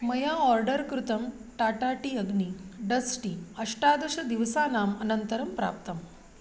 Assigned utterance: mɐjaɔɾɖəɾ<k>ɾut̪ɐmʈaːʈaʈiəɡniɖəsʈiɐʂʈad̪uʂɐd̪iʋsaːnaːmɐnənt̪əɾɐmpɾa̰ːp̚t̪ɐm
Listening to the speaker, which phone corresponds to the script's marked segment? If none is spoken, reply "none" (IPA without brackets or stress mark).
k